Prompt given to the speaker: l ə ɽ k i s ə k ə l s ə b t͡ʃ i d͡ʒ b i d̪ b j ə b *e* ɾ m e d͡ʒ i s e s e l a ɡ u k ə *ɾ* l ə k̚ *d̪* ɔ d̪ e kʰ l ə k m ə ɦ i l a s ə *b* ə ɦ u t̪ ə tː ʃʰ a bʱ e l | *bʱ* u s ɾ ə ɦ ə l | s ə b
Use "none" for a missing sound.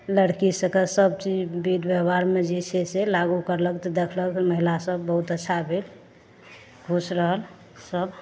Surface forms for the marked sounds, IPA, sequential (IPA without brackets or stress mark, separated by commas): a, ɾ, t̪, bː, ɡʱ